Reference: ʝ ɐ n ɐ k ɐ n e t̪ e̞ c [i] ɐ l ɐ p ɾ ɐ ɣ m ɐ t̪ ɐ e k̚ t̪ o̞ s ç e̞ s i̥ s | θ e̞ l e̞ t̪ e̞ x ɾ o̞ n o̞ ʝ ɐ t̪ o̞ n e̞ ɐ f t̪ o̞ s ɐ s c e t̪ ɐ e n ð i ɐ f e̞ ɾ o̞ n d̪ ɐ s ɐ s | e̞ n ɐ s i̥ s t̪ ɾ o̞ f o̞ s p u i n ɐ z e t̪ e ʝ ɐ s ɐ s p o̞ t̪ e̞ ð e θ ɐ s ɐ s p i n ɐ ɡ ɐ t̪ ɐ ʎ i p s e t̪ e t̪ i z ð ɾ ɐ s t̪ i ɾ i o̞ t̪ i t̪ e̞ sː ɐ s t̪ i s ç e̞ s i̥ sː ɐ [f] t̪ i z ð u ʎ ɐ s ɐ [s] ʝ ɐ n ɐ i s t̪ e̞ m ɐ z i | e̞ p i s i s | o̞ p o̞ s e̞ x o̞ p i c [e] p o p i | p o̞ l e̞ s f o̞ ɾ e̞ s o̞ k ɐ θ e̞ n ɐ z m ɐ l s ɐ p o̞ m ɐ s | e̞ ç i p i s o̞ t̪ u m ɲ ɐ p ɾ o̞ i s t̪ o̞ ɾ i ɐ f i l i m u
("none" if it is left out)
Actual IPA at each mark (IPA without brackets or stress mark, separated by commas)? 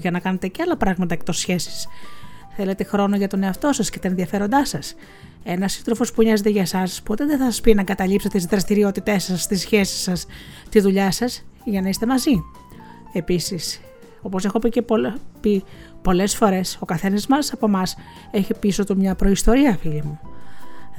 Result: e, s, s, e